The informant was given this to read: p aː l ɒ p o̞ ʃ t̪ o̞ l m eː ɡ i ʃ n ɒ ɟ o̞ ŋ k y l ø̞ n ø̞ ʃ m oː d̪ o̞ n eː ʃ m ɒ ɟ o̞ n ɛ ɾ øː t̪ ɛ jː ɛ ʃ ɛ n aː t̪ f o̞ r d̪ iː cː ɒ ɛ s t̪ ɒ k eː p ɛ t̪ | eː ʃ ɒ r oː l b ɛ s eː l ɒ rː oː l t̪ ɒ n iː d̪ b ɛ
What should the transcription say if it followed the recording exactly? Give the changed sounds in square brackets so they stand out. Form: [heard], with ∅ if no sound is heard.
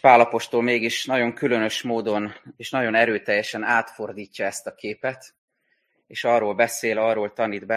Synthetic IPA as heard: p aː l ɒ p o̞ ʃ t̪ o̞ l m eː ɡ i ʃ n ɒ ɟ o̞ ŋ k y l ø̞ n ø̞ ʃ m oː d̪ o̞ n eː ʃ [n] ɒ ɟ o̞ n ɛ ɾ øː t̪ ɛ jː ɛ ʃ ɛ n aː t̪ f o̞ r d̪ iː cː ɒ ɛ s t̪ ɒ k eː p ɛ t̪ | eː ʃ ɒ r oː l b ɛ s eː l ɒ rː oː l t̪ ɒ n iː d̪ b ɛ